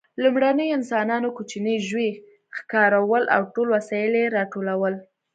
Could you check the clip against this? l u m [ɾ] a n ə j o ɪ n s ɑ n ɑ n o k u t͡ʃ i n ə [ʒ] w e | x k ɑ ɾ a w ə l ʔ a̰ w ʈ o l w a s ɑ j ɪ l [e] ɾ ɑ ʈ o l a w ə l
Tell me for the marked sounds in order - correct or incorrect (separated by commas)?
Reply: incorrect, correct, correct